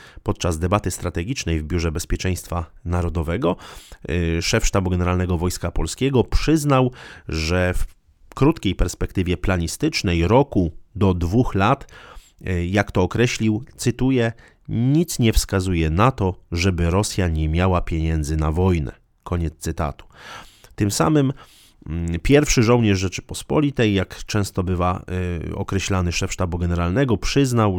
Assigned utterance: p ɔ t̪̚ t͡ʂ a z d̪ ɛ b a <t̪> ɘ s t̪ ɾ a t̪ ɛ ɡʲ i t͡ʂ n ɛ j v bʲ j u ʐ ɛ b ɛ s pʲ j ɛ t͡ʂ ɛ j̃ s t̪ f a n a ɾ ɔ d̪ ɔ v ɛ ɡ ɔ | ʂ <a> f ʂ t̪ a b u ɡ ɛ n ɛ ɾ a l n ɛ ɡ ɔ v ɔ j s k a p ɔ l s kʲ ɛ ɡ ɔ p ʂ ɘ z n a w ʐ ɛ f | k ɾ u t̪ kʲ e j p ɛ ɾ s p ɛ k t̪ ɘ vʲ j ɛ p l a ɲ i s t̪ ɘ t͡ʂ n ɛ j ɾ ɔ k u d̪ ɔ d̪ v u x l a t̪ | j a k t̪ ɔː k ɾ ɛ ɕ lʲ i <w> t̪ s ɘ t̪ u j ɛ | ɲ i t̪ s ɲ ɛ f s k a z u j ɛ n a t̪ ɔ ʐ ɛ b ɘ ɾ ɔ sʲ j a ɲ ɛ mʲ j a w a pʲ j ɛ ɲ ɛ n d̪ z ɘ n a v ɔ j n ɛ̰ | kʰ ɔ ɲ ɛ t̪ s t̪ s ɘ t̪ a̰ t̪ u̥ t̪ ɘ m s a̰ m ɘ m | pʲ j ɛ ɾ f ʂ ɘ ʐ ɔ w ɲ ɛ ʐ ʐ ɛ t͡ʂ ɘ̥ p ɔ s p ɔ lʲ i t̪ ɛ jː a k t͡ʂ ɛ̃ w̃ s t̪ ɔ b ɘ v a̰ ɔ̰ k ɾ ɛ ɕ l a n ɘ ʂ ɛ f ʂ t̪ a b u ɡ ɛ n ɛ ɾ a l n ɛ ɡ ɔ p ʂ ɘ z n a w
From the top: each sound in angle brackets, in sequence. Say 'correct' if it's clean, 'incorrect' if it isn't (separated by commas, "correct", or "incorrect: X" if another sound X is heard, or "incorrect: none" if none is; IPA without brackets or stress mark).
correct, incorrect: ɛ, correct